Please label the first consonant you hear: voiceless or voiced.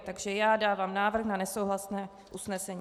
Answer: voiceless